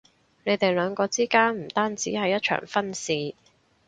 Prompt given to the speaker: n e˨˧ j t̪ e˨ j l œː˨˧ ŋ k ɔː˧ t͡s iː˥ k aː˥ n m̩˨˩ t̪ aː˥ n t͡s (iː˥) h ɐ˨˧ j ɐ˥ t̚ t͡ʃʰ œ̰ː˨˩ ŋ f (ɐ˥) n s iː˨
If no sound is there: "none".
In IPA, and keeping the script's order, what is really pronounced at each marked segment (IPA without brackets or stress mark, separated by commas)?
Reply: iː˨˥, ɐ˥